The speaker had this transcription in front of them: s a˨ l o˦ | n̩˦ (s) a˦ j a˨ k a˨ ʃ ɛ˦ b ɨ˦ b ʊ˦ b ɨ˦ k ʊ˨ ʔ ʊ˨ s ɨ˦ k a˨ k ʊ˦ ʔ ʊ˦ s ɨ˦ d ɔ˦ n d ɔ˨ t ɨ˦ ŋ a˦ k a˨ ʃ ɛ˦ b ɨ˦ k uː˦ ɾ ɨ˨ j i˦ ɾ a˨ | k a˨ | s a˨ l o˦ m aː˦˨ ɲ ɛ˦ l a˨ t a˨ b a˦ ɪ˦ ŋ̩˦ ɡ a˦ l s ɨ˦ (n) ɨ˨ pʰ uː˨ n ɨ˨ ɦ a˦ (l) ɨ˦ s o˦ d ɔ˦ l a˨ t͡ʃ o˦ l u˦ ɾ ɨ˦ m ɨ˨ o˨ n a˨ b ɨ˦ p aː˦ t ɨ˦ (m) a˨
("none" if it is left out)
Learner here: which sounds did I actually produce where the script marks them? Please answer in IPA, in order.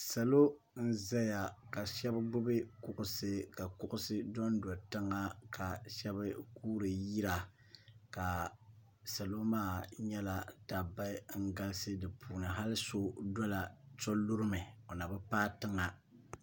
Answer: z, d, l, ŋ

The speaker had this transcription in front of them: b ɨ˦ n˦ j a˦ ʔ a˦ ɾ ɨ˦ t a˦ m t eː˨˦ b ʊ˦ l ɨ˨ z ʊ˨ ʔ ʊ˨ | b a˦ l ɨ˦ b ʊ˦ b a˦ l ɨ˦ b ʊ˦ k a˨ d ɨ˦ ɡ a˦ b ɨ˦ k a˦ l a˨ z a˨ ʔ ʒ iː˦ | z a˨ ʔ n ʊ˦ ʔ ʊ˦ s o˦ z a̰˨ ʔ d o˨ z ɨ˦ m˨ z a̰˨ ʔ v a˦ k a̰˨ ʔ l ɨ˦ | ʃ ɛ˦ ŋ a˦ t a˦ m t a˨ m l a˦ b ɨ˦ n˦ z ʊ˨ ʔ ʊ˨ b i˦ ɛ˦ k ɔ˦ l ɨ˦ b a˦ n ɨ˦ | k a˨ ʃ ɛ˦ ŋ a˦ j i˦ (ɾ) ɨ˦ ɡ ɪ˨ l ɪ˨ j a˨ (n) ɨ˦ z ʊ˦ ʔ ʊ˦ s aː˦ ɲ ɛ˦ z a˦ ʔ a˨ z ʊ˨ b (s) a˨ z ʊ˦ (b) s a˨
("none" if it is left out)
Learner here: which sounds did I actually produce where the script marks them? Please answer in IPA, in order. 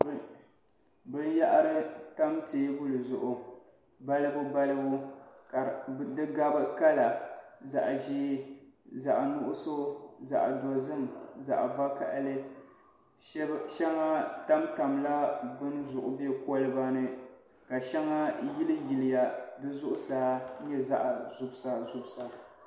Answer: l, d, s, b

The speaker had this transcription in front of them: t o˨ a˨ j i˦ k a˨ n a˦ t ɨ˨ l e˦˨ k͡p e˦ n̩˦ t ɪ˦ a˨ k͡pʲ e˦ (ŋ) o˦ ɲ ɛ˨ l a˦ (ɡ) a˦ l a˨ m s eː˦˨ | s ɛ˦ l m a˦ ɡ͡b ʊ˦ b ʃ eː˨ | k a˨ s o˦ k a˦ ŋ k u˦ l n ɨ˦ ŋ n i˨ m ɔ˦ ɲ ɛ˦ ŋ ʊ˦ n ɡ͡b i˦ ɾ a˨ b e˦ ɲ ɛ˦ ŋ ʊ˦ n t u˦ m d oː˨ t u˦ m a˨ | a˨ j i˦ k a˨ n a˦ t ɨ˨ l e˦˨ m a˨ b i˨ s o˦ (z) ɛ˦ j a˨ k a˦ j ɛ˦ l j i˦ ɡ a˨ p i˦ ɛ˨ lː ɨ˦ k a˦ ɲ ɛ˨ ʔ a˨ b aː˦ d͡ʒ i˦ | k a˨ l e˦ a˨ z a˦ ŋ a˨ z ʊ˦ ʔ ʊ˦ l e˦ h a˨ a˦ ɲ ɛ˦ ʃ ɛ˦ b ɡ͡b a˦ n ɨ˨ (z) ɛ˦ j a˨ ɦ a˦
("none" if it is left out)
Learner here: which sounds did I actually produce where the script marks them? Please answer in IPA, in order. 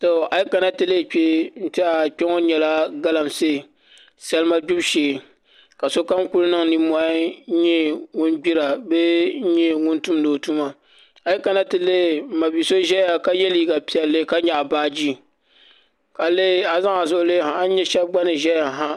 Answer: ŋ, ɡ, ʒ, ʒ

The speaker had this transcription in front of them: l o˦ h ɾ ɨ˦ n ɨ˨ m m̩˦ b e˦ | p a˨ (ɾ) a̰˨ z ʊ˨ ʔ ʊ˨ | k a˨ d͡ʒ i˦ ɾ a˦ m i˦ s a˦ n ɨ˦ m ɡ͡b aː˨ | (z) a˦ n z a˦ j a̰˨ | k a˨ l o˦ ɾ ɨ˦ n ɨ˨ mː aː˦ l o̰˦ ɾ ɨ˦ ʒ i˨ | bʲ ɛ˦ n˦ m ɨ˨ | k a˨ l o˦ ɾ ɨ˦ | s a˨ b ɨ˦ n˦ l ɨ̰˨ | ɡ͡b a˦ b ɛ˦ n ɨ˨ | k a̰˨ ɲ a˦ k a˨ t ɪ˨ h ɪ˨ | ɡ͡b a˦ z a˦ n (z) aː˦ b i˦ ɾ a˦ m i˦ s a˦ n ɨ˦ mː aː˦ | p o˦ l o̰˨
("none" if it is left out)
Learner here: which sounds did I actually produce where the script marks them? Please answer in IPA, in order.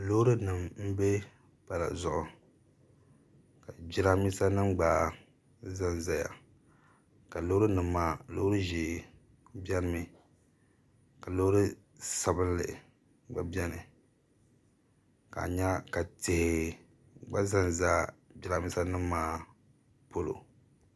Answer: l, z, z

